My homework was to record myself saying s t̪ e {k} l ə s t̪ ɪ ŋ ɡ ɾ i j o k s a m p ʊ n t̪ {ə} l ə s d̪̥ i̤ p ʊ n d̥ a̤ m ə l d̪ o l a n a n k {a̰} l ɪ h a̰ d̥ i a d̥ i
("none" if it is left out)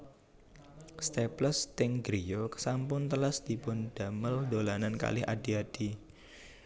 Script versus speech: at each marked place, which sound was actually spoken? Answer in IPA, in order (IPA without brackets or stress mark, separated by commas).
p, ə, a̰